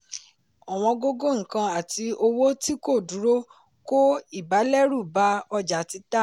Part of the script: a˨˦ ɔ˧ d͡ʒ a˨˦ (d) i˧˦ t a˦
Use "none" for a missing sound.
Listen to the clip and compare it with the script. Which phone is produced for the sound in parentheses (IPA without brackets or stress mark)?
t